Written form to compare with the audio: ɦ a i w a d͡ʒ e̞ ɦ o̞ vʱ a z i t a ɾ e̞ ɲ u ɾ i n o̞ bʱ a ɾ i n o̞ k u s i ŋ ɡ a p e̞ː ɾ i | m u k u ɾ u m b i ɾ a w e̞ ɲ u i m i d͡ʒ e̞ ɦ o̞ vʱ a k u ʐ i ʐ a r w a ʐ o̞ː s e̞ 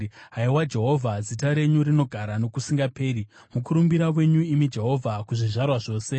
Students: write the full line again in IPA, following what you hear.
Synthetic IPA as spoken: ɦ a i w a d͡ʒ e̞ ɦ o̞ vʱ a z i t a ɾ e̞ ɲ u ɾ i n o̞ ɡʱ a ɾ a n o̞ k u s i ŋ ɡ a p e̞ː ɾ i | m u k u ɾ u m b i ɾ a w e̞ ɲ u i m i d͡ʒ e̞ ɦ o̞ vʱ a k u ʐ i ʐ a r w a ʐ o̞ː s e̞

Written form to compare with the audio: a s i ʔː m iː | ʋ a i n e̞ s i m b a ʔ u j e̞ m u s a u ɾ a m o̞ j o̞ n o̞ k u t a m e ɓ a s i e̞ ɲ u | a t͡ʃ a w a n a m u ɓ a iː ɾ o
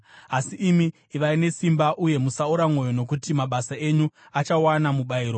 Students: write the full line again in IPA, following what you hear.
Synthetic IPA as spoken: a s i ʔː m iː | ʋ a i n e̞ s i m b a ʔ u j e̞ m u s a u ɾ a m o̞ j o̞ n o̞ k u t i m a ɓ a s a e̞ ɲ u | a t͡ʃ a w a n a m u ɓ a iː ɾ o

